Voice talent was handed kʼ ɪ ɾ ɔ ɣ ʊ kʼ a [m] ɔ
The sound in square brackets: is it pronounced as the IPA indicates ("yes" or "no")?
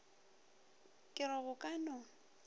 no